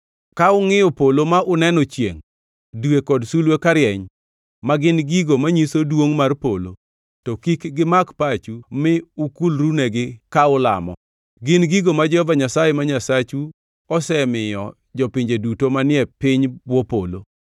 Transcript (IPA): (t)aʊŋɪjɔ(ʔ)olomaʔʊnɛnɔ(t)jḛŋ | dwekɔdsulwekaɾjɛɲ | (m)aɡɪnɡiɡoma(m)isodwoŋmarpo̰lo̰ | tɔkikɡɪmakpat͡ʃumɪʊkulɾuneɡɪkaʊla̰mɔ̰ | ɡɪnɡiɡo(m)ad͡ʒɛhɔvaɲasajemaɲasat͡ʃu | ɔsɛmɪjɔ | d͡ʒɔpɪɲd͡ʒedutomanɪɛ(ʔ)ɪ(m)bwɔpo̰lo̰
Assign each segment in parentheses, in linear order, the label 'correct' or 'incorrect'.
incorrect: k, incorrect: p, incorrect: t͡ʃ, correct, incorrect: ɲ, correct, incorrect: p, incorrect: ɲ

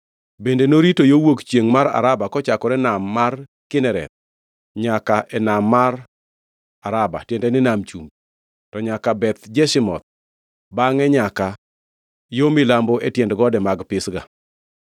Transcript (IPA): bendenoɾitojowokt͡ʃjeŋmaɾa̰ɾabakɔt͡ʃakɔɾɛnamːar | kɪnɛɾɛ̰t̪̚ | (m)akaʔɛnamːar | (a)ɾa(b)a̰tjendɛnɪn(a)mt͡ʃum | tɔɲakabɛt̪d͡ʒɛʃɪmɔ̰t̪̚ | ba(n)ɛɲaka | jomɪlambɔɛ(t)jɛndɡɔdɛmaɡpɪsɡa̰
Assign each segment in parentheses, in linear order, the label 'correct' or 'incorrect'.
incorrect: ɲ, correct, correct, correct, incorrect: ŋ, correct

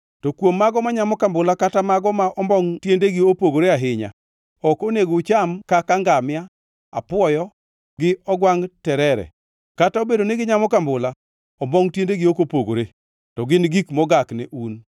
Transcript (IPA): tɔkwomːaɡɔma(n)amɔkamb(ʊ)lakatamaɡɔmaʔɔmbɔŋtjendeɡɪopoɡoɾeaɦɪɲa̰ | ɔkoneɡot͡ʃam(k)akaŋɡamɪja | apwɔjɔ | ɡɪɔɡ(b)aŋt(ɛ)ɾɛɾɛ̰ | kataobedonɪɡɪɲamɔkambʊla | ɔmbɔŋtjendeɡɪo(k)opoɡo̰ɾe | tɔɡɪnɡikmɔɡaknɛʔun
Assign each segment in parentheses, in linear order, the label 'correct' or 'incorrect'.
incorrect: ɲ, correct, correct, incorrect: w, correct, correct

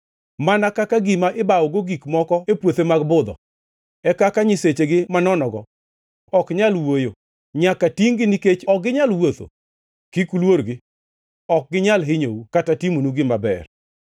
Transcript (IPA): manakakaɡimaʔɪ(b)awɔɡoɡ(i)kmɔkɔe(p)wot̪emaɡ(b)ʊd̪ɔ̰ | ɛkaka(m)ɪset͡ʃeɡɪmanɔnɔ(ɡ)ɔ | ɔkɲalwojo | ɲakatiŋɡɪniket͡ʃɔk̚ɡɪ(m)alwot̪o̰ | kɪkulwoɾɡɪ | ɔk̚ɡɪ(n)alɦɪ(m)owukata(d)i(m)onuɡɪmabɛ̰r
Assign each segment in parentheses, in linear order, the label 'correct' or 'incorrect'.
correct, correct, correct, correct, incorrect: ɲ, correct, incorrect: ɲ, incorrect: ɲ, incorrect: ɲ, incorrect: t, correct

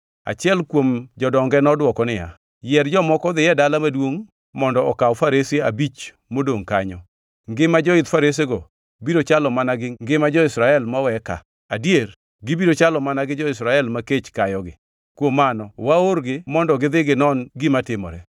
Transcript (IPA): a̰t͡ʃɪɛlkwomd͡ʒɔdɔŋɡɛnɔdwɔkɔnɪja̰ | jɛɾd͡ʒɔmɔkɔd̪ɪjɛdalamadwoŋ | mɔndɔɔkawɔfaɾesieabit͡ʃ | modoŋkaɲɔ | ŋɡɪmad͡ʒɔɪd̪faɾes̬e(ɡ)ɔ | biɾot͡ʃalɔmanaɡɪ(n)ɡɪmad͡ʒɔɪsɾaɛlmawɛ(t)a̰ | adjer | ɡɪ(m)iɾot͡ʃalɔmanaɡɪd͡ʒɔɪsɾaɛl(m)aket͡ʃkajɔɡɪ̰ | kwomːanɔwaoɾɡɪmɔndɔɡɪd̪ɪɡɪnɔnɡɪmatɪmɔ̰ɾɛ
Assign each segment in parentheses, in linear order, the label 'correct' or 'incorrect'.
correct, incorrect: ŋ, incorrect: k, incorrect: b, correct

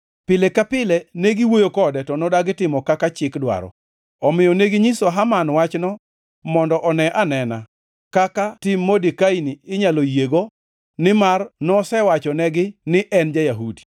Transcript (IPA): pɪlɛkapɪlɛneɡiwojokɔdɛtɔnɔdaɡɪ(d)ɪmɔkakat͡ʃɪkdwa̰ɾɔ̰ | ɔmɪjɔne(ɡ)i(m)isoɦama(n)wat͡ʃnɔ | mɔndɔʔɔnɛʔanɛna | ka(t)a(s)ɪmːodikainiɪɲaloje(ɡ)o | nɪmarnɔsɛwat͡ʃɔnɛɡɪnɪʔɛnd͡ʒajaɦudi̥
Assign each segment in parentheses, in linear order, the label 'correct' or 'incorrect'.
incorrect: t, correct, incorrect: ɲ, correct, incorrect: k, incorrect: t, correct

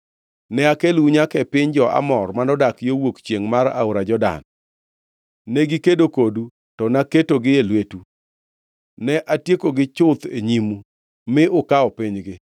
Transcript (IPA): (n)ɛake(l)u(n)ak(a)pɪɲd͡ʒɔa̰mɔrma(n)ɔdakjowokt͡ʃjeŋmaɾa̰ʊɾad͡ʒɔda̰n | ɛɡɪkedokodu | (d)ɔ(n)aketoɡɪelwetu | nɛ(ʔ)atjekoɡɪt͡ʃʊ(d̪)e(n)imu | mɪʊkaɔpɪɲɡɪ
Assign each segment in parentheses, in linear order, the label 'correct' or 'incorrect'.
correct, correct, incorrect: ɲ, incorrect: ɛ, correct, incorrect: t, correct, correct, incorrect: t̪, incorrect: ɲ

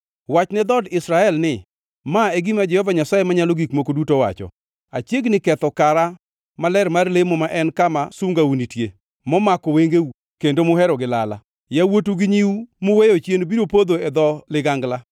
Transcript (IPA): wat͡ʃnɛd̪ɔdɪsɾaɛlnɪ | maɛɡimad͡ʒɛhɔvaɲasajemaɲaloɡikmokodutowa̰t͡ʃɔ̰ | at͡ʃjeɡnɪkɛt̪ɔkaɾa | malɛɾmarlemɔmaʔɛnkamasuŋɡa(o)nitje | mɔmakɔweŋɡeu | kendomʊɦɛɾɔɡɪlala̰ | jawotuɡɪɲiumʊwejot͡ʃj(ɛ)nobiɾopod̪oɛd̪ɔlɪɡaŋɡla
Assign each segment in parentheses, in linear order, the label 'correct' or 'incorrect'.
incorrect: u, incorrect: e

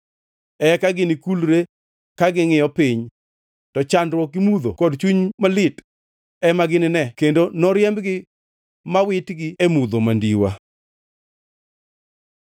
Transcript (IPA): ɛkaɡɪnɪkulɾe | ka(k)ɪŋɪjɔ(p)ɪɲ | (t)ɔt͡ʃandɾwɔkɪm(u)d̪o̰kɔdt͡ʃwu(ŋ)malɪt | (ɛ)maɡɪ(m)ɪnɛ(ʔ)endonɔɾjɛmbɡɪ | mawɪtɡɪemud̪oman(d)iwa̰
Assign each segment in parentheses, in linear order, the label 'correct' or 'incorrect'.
incorrect: ɡ, correct, correct, correct, incorrect: ɲ, correct, incorrect: n, incorrect: k, correct

